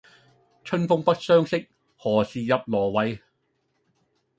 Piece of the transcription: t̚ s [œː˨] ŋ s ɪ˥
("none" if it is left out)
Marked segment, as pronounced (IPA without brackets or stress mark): œː˥